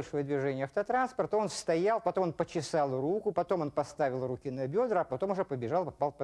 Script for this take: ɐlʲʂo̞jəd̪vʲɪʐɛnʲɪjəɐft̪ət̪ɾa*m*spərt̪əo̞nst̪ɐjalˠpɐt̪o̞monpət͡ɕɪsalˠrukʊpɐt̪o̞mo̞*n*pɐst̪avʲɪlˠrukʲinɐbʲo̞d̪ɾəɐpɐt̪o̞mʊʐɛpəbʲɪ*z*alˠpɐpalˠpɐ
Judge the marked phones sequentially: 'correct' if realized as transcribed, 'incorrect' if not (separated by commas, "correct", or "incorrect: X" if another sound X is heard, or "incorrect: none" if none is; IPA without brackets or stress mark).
incorrect: n, correct, incorrect: ʐ